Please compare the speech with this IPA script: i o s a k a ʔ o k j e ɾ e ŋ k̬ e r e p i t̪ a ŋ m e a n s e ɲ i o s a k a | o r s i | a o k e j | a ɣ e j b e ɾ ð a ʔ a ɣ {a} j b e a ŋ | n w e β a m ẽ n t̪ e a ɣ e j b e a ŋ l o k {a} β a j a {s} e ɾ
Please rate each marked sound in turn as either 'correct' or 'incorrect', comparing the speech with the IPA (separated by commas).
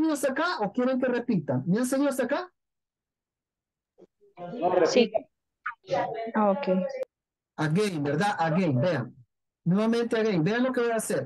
incorrect, incorrect, correct